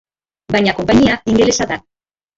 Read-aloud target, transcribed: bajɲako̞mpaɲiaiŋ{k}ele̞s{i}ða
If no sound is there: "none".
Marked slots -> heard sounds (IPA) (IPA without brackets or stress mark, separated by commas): ɡ, a